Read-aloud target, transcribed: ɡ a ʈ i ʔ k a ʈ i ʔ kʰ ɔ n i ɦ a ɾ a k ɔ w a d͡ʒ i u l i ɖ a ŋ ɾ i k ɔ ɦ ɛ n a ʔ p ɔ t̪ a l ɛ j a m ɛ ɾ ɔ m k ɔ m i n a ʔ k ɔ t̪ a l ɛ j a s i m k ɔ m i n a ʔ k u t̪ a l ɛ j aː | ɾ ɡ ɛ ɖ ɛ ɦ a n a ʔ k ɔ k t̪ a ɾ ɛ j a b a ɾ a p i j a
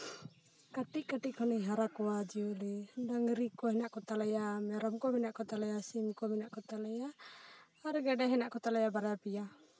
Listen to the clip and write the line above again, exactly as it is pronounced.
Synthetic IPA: k a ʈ i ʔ k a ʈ i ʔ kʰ ɔ n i ɦ a ɾ a k ɔ w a d͡ʒ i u l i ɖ a ŋ ɾ i k ɔ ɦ ɛ n a ʔ k ɔ t̪ a l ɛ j a m ɛ ɾ ɔ m k ɔ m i n a ʔ k ɔ t̪ a l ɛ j a s i m k ɔ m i n a ʔ k ɔ t̪ a l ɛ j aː | ɾ ɡ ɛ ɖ ɛ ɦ ɛ n a ʔ k ɔ t̪ a l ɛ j a b a ɾ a p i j a